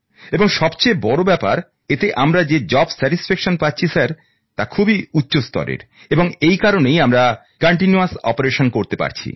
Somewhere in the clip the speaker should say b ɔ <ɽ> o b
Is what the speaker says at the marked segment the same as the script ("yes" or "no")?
no